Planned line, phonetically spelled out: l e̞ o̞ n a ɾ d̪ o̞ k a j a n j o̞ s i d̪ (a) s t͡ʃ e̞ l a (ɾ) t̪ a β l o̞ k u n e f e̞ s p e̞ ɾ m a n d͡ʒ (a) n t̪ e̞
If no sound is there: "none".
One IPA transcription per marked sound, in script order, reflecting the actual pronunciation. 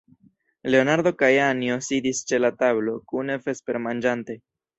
i, none, a

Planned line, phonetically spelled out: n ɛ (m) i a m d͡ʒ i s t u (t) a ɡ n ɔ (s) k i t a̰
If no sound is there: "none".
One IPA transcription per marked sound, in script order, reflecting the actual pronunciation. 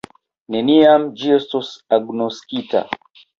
n, s, s

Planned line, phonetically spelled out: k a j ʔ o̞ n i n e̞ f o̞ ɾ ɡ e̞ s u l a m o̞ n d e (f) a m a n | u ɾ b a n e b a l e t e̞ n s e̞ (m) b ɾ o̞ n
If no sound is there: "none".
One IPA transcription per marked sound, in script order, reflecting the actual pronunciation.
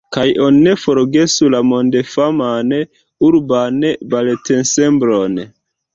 f, m

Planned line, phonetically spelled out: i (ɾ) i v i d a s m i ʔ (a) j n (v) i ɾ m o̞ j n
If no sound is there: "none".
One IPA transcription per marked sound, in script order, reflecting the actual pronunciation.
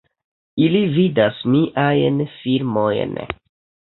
l, a, f

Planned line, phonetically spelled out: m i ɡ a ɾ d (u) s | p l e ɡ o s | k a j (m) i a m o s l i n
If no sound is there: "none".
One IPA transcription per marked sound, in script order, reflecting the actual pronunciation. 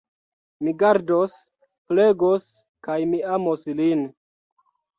o, m

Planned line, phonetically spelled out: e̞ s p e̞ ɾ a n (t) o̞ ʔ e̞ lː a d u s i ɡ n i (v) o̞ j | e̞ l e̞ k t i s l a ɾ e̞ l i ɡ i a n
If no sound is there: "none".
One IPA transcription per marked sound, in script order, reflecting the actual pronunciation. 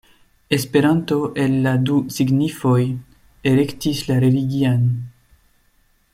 t, f

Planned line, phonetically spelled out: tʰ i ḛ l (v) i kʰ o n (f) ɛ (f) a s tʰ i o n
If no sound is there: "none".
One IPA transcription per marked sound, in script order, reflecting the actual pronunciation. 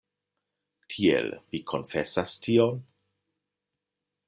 v, f, s

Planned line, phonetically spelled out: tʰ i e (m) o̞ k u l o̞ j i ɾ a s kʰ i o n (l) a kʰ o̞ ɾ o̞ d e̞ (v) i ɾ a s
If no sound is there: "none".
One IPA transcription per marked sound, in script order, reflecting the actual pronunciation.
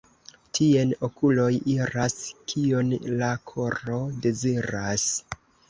n, l, z

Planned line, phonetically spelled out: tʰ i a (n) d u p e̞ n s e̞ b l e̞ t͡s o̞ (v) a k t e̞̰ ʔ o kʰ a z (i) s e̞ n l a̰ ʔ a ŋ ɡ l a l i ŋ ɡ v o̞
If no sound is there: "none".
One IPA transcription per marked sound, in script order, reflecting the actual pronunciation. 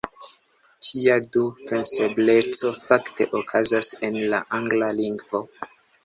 none, f, a

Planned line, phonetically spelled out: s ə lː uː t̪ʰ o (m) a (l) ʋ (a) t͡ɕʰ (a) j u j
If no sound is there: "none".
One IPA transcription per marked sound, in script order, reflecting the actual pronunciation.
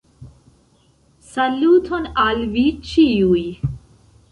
n, l, i, i

